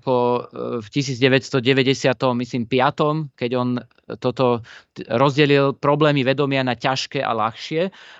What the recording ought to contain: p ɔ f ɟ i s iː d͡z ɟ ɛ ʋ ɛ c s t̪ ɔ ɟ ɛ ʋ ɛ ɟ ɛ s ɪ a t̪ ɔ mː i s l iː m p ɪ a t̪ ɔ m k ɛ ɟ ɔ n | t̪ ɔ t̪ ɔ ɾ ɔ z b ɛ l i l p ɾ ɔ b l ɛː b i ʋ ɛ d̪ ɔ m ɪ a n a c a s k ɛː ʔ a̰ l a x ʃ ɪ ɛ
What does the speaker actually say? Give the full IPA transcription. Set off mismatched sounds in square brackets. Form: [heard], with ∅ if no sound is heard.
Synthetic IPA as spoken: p ɔ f [c] i s iː d͡z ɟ ɛ ʋ ɛ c s t̪ ɔ ɟ ɛ ʋ ɛ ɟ ɛ s ɪ a t̪ ɔ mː i s l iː m p ɪ a t̪ ɔ m k ɛ ɟ ɔ n | t̪ ɔ t̪ ɔ ɾ ɔ z [ɟ] ɛ l i l p ɾ ɔ b l ɛː [m] i ʋ ɛ d̪ ɔ m ɪ a n a c a [ʃ] k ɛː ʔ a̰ l a x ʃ ɪ ɛ